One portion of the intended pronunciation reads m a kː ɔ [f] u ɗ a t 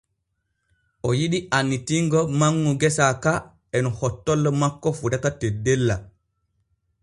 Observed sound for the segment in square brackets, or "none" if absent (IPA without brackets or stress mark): f